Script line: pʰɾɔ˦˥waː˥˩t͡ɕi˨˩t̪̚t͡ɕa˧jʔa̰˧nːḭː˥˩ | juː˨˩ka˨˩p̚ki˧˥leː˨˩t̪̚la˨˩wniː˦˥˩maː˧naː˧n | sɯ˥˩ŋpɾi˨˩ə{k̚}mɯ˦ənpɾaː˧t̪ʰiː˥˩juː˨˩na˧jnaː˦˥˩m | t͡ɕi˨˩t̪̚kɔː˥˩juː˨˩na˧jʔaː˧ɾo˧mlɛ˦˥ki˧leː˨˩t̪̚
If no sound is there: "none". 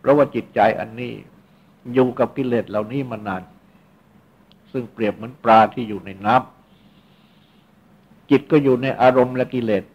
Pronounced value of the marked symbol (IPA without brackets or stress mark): p̚